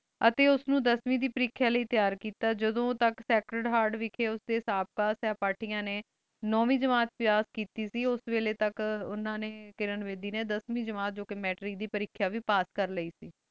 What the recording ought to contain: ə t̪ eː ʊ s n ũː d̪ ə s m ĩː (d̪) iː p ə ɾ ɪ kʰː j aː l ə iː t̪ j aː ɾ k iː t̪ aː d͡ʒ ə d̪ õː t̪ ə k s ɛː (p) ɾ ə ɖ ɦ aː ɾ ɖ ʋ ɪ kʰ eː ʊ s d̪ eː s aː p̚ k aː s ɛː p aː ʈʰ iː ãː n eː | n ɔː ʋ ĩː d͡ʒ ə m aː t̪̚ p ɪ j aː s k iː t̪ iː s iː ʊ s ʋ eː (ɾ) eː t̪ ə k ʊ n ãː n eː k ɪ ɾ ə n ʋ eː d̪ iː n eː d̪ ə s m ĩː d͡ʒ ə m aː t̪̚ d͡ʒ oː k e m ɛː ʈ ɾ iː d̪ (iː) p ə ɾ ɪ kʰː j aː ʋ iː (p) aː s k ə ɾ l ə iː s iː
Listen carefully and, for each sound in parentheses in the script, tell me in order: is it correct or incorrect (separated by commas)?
correct, incorrect, incorrect, correct, correct